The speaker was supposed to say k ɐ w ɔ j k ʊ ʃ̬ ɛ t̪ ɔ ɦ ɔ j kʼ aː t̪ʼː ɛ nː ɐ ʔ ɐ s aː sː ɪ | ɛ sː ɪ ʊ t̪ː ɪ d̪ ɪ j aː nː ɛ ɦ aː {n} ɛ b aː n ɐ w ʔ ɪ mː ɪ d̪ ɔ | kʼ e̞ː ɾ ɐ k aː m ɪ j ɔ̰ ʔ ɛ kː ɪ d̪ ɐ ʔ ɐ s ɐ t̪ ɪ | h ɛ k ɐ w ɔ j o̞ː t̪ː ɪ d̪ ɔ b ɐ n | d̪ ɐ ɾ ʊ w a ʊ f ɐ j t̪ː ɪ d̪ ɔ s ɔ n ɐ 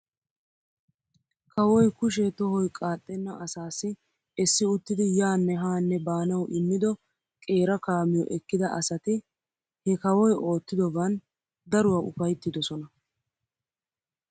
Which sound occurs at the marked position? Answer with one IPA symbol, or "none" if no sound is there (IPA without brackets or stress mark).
nː